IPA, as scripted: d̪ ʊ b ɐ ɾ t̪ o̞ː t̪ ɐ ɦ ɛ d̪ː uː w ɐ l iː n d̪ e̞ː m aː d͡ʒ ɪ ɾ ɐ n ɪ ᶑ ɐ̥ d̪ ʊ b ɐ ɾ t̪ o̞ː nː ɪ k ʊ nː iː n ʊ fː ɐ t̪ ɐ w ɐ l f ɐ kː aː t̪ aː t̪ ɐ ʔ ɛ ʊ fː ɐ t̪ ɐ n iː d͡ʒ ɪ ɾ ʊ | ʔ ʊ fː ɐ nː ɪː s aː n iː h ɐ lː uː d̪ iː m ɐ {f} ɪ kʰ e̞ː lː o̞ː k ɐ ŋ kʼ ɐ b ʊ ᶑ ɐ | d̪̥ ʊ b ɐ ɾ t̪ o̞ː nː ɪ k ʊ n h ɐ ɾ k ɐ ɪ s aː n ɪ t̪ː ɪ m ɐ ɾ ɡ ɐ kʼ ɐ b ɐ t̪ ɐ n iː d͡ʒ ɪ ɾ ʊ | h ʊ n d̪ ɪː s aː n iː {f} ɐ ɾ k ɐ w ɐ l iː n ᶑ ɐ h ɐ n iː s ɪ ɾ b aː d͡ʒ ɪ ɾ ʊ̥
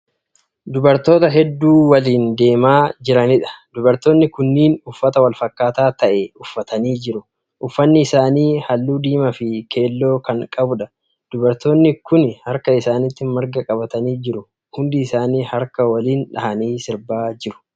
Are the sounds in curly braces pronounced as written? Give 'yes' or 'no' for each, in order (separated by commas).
yes, no